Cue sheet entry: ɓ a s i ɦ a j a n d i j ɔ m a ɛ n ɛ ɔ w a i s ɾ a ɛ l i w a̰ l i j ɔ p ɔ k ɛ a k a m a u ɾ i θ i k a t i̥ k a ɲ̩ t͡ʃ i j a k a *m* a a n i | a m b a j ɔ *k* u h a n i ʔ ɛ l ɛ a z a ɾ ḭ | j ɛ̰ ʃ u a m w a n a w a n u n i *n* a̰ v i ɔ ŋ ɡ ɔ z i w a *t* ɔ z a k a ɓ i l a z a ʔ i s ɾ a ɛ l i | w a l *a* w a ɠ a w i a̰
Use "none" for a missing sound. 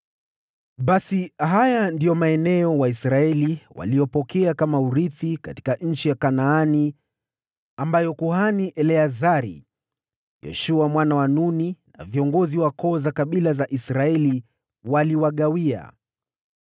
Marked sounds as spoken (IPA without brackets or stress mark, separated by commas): n, k, n, k, i